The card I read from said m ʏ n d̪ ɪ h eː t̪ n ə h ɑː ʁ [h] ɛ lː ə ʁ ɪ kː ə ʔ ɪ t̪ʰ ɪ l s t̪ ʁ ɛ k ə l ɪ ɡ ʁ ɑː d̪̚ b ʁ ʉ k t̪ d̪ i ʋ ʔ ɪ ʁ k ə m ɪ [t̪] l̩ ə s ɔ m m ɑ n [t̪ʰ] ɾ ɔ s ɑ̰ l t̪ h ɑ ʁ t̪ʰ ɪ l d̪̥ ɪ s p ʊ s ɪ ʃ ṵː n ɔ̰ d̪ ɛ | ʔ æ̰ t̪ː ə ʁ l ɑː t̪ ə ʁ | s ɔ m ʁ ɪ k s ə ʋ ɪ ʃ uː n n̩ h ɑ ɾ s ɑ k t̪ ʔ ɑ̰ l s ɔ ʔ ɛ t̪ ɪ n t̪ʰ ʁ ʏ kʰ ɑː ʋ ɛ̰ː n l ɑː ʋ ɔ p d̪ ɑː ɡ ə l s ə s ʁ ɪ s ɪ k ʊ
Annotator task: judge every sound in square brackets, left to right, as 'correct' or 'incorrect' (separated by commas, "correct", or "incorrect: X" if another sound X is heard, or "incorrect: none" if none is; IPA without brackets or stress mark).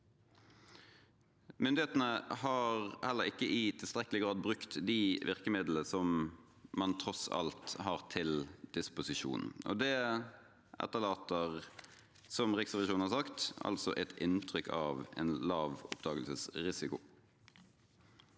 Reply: correct, incorrect: d̪, correct